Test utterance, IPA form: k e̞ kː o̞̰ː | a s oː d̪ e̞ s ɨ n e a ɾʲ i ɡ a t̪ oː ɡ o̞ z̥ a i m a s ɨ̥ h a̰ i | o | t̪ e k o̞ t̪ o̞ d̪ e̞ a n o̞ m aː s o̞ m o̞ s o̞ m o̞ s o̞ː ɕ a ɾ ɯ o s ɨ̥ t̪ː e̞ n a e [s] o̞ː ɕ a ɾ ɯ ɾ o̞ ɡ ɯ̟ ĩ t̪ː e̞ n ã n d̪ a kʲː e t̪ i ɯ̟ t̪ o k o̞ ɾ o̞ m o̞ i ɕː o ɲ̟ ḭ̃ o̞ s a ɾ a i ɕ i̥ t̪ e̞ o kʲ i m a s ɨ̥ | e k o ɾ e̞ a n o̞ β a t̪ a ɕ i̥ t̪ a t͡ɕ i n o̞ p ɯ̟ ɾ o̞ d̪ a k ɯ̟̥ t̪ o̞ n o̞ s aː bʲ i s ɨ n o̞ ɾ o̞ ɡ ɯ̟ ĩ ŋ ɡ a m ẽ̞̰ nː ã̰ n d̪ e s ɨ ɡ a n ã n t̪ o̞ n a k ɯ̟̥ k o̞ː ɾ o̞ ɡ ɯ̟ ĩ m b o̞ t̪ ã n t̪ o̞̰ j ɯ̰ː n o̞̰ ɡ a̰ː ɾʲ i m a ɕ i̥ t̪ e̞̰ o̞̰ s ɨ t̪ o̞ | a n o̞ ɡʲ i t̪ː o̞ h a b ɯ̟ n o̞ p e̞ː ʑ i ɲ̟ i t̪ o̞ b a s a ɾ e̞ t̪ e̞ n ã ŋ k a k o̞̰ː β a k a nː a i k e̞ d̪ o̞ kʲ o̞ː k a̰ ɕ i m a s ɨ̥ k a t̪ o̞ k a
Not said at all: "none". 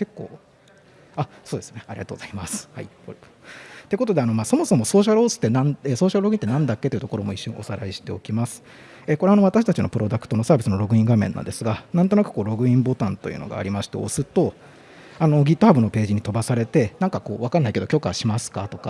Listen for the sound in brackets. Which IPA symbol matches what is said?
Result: s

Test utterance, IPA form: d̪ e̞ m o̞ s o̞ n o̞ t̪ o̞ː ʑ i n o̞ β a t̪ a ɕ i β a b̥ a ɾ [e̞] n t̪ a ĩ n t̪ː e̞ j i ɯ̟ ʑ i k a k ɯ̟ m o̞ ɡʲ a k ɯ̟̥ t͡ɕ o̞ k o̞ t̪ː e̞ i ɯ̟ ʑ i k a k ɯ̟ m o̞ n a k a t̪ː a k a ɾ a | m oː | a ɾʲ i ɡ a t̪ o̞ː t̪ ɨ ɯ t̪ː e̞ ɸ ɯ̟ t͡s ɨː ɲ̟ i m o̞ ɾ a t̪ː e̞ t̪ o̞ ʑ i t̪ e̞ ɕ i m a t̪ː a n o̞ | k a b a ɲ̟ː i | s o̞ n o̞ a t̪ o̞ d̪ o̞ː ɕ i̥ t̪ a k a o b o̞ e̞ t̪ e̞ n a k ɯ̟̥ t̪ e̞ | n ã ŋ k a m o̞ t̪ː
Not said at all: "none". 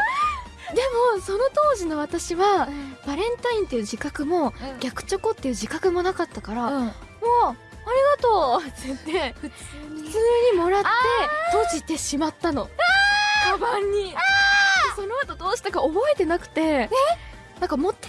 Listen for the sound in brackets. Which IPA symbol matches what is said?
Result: ẽ̞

